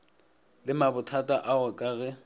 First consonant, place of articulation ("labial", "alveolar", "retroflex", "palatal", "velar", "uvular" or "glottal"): alveolar